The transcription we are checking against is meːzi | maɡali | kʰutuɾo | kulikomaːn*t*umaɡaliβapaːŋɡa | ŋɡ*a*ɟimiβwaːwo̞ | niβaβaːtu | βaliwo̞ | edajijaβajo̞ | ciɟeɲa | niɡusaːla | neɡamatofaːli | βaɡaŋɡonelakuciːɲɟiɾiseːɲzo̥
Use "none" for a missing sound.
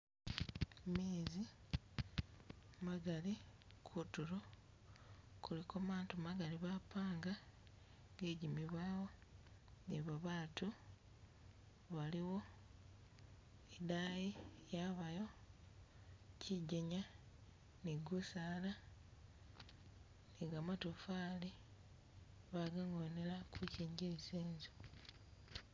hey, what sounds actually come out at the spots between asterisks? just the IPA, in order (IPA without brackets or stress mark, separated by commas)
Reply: t, e